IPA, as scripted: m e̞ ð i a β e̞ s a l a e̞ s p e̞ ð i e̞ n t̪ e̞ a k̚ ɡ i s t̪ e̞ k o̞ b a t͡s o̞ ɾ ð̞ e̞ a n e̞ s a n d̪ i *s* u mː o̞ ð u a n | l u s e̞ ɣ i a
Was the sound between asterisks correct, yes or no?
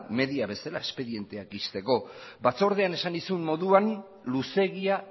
yes